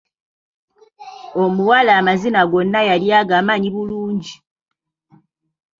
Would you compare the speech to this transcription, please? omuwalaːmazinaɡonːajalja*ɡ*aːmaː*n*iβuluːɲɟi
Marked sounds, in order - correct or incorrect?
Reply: correct, incorrect

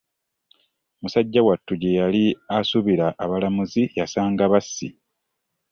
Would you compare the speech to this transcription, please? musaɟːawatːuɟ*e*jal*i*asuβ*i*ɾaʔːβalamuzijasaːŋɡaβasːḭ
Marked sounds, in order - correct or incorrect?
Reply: correct, correct, correct

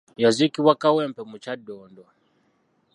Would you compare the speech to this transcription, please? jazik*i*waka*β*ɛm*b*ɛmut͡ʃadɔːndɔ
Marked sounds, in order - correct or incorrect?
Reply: correct, incorrect, incorrect

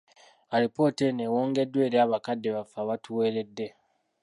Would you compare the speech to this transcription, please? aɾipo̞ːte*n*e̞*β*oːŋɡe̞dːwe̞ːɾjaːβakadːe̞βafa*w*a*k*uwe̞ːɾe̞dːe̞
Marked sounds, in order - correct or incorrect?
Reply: correct, incorrect, incorrect, incorrect

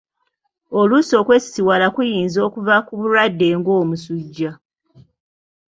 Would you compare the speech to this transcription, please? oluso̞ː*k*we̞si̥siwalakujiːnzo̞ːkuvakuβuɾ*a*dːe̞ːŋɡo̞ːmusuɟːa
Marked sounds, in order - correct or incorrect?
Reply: correct, correct

